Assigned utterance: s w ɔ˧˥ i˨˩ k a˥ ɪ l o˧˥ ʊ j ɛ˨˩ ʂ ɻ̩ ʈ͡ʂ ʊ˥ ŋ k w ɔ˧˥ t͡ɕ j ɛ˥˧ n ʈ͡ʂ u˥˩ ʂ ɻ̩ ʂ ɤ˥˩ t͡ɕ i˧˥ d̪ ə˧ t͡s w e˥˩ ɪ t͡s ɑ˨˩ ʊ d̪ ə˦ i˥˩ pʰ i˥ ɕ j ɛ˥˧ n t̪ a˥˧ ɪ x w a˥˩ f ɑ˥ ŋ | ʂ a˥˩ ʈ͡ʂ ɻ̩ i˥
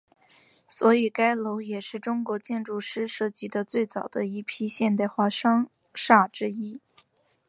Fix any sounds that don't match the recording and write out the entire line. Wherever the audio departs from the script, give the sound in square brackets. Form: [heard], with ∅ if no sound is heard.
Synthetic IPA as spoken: s w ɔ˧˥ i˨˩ k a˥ ɪ l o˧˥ ʊ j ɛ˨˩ ʂ ɻ̩ ʈ͡ʂ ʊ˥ ŋ k w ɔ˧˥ t͡ɕ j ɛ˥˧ n ʈ͡ʂ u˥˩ ʂ ɻ̩ ʂ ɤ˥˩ t͡ɕ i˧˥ d̪ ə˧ t͡s w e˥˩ ɪ t͡s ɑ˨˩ ʊ d̪ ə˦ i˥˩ pʰ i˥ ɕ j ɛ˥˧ n t̪ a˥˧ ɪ x w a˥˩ [ʂ] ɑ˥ ŋ | ʂ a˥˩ ʈ͡ʂ ɻ̩ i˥